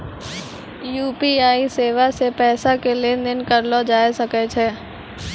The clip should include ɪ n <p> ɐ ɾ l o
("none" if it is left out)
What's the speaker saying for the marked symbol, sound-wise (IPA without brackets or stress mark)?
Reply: k